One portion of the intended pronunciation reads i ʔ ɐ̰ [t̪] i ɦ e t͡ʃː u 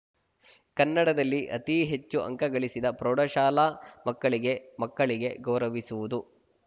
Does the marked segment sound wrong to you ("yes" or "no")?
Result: no